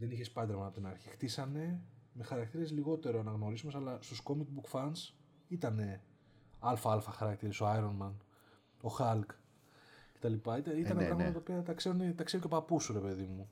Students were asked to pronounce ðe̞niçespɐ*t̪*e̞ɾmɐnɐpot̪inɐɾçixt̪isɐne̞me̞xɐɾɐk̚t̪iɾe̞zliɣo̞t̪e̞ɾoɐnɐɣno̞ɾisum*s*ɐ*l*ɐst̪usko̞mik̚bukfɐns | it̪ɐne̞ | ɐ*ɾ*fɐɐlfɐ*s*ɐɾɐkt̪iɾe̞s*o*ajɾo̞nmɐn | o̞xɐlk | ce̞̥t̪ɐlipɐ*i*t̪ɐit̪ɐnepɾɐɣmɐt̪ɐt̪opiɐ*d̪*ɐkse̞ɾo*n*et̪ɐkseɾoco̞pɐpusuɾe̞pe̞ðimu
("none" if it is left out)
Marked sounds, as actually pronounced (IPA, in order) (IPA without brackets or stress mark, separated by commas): d̪, s, l, l, x, o, i, t̪, n